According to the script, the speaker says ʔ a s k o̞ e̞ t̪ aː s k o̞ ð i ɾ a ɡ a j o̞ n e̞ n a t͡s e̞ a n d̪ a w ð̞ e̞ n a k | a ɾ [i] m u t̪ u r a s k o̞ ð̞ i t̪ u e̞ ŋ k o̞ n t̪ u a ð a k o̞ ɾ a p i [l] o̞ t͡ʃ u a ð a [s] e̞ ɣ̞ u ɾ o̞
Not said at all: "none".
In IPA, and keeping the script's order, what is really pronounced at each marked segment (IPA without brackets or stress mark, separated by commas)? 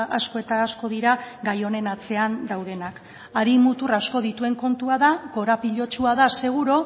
i, ʎ, s